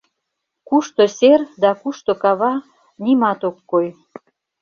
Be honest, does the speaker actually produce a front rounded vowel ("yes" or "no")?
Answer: no